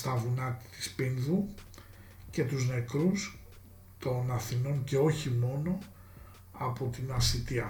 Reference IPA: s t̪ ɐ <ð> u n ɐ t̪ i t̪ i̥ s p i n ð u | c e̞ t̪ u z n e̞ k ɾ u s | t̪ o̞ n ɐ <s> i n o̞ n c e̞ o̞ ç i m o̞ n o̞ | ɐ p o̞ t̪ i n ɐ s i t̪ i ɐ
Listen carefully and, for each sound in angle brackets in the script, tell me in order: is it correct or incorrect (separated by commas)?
incorrect, incorrect